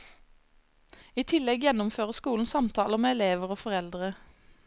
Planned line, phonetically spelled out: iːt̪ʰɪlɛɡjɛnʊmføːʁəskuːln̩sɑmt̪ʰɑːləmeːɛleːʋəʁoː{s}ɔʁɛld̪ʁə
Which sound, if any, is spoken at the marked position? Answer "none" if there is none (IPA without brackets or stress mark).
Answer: f